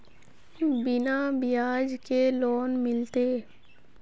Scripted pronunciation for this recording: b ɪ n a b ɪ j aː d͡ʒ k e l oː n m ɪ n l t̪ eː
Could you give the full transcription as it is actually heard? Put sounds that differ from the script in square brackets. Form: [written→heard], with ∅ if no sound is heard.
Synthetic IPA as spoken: b ɪ n a b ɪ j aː d͡ʒ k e l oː n m ɪ [n→∅] l t̪ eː